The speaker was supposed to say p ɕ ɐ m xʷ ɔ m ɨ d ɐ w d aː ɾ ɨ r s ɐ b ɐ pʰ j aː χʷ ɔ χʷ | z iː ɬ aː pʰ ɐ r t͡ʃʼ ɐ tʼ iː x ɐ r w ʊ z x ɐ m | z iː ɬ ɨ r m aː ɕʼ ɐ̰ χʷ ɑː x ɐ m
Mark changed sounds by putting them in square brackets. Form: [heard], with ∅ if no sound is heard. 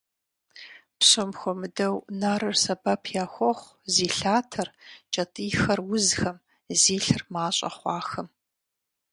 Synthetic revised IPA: p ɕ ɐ m xʷ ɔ m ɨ d ɐ w [n] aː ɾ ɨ r s ɐ b ɐ pʰ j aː [xʷ] ɔ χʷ | z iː ɬ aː [tʰ] ɐ r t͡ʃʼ ɐ tʼ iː x ɐ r w ʊ z x ɐ m | z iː ɬ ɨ r m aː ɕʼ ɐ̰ χʷ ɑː x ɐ m